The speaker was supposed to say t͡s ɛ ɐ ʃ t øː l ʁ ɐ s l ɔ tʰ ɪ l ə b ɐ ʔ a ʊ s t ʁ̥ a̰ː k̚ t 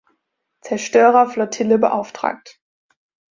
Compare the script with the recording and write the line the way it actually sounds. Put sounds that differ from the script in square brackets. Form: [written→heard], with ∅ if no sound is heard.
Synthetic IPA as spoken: t͡s ɛ ɐ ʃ t øː [l→∅] ʁ ɐ [s→f] l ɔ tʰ ɪ l ə b [ɐ→ə] ʔ a ʊ [s→f] t ʁ̥ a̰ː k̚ t